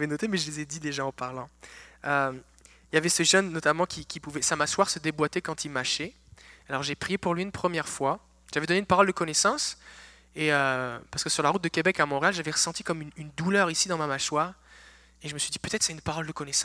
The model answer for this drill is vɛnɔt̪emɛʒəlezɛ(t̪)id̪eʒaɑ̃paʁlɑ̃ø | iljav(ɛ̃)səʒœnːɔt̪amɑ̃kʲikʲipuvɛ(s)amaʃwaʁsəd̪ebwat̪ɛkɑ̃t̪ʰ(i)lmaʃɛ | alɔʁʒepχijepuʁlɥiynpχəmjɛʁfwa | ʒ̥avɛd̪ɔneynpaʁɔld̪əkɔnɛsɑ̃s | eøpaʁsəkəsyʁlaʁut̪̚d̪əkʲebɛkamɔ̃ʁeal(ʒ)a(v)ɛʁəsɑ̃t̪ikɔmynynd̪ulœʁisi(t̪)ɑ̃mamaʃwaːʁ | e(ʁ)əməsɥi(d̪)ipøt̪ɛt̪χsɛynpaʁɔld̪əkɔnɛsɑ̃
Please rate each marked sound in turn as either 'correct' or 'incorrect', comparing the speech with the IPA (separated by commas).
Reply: incorrect, incorrect, correct, correct, correct, correct, incorrect, incorrect, correct